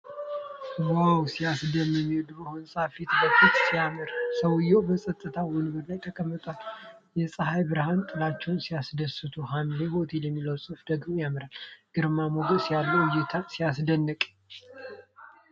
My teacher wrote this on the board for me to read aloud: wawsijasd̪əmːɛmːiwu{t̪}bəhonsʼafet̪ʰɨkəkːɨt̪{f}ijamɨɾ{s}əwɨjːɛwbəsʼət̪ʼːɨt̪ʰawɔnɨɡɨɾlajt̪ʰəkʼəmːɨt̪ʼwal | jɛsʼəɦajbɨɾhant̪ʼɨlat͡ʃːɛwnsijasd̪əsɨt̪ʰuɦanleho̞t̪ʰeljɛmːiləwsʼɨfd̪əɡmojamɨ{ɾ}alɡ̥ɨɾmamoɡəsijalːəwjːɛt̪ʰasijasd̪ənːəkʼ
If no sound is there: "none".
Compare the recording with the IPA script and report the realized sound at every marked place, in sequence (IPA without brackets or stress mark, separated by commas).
d̪, s, s, ɾ